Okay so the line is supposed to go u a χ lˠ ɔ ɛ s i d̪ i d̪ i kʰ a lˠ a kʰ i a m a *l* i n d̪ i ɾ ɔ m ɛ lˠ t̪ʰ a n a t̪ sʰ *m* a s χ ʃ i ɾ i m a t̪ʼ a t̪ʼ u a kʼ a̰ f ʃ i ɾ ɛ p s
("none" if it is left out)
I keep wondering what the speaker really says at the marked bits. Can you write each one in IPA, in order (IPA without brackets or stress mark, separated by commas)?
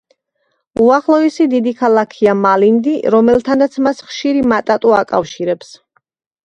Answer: l, m